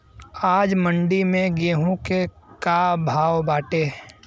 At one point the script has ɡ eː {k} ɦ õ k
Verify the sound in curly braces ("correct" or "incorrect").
incorrect